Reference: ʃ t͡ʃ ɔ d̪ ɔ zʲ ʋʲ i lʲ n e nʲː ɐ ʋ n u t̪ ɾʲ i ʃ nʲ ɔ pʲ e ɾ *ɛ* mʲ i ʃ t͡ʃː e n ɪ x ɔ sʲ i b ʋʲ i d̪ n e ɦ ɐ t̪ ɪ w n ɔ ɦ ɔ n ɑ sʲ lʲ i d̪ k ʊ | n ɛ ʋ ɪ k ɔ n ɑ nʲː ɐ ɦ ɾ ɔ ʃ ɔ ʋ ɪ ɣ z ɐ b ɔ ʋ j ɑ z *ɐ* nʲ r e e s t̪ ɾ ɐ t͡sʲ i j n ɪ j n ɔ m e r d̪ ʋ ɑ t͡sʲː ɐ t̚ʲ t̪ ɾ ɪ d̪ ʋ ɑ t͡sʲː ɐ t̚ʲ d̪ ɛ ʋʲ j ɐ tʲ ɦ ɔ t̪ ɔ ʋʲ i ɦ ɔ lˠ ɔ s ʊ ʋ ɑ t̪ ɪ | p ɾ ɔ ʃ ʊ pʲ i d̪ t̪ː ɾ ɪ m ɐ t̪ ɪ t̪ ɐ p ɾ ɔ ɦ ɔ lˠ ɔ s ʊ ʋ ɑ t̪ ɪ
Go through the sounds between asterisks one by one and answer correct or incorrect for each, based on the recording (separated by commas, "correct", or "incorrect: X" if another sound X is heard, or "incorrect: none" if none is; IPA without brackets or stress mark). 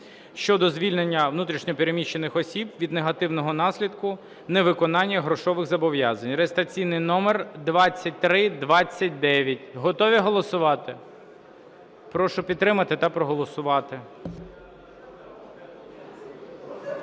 incorrect: e, correct